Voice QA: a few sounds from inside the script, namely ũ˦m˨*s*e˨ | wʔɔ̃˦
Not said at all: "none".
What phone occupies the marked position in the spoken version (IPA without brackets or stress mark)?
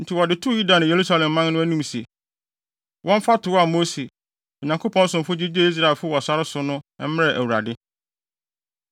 s